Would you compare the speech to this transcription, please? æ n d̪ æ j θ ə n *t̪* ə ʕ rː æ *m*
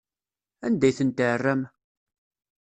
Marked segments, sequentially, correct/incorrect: correct, correct

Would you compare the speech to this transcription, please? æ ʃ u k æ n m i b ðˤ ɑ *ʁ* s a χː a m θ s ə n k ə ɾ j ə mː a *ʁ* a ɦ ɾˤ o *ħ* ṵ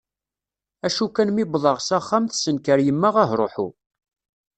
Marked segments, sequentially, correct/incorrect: correct, correct, correct

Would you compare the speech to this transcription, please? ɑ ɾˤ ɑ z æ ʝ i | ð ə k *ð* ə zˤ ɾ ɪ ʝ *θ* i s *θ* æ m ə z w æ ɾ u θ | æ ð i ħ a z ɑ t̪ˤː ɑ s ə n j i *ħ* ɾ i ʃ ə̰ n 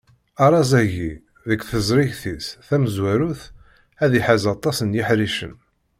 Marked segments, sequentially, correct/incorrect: incorrect, correct, correct, correct

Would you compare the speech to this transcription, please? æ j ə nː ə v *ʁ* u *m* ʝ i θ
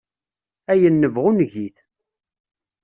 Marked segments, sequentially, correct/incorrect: correct, incorrect

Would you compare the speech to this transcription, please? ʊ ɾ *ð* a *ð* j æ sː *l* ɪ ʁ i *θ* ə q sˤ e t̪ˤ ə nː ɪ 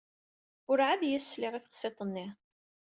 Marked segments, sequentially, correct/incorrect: incorrect, correct, correct, correct

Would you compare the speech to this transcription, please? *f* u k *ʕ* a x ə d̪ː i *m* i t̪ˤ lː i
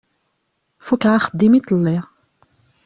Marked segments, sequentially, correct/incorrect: correct, correct, correct

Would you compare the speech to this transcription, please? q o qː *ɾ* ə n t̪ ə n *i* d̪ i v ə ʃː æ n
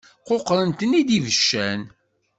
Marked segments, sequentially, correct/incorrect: correct, correct

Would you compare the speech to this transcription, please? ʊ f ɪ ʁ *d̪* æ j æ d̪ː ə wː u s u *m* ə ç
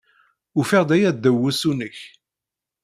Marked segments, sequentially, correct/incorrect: correct, incorrect

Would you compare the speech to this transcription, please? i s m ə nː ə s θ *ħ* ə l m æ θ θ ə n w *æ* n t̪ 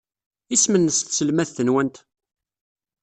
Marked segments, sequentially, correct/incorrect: incorrect, correct

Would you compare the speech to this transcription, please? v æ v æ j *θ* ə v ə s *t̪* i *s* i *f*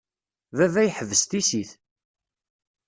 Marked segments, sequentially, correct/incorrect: incorrect, correct, correct, incorrect

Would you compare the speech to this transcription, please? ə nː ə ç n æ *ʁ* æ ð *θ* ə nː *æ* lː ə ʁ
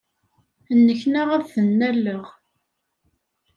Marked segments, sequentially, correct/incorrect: correct, correct, correct

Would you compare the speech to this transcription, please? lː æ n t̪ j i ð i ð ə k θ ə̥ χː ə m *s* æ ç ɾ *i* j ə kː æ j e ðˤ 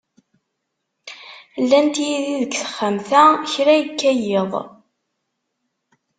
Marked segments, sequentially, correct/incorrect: incorrect, incorrect

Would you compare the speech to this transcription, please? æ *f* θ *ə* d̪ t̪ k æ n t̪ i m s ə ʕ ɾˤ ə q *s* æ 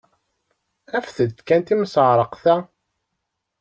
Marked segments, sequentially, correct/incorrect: correct, correct, incorrect

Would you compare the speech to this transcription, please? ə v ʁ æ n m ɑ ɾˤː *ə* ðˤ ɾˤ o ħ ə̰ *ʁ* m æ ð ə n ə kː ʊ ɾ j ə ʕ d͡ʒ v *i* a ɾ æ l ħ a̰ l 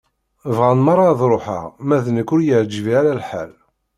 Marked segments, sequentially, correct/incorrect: incorrect, correct, correct

